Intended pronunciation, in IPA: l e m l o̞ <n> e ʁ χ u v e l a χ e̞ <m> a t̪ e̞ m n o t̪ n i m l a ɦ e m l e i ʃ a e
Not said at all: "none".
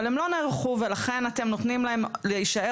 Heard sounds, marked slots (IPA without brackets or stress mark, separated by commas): n, n